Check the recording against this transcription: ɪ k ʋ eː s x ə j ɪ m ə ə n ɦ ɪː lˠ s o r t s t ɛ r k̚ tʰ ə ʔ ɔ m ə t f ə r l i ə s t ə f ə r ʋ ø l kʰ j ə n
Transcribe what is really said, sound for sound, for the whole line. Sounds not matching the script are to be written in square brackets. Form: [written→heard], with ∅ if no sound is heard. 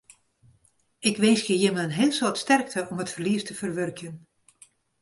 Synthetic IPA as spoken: ɪ k ʋ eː s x ə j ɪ m ə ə n ɦ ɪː lˠ s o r t s t ɛ r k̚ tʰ ə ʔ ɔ m ə t f ə r l i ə s t ə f ə r ʋ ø [l→r] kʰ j ə n